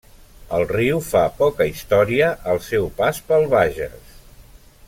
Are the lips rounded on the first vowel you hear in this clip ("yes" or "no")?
no